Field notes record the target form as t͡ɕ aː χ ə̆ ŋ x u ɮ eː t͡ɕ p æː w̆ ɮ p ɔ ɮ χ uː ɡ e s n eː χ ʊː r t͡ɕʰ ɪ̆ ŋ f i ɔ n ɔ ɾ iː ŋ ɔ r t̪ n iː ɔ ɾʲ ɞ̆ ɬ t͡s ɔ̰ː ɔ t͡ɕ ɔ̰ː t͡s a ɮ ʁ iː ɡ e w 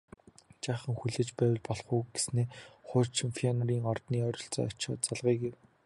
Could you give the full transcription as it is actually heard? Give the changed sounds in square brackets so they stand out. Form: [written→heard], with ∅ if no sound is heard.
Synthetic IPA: t͡ɕ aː χ ə̆ ŋ x u ɮ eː t͡ɕ p æː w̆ ɮ p ɔ ɮ χ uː ɡ e s n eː χ ʊː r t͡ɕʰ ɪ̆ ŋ f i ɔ n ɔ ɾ iː ŋ ɔ r t̪ n iː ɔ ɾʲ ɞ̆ ɬ t͡s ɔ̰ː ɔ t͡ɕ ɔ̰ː t͡s a ɮ ʁ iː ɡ e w